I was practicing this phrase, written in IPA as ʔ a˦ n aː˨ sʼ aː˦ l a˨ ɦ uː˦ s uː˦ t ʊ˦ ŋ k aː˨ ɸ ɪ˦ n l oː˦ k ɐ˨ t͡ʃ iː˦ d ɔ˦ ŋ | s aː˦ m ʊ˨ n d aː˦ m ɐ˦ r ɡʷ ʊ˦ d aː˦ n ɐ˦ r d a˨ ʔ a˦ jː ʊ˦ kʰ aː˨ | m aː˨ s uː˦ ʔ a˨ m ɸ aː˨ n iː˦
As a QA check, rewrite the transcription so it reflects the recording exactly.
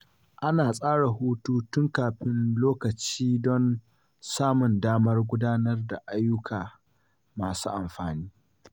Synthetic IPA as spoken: ʔ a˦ n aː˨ sʼ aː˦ ɽ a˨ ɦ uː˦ t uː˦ t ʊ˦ ŋ k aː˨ ɸ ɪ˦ n l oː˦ k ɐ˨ t͡ʃ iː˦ d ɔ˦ n | s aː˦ m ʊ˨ n d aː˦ m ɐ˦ r ɡʷ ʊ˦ d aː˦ n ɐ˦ r d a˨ ʔ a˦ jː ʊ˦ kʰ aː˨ | m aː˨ s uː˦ ʔ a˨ m ɸ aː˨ n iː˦